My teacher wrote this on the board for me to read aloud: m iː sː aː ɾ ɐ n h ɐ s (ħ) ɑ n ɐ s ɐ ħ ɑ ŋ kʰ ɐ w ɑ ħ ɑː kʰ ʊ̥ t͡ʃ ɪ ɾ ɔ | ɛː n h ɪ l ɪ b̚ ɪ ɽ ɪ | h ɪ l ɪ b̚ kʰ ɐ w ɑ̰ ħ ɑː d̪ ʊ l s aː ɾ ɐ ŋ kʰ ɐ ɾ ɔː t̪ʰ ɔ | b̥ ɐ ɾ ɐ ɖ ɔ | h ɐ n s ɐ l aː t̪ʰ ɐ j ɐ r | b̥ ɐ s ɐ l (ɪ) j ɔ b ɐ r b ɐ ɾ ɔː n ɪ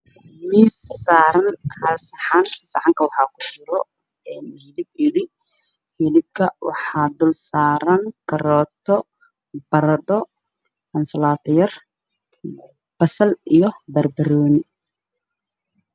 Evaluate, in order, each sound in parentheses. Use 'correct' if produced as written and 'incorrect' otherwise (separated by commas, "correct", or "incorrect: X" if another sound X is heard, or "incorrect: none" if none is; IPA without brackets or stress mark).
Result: correct, incorrect: i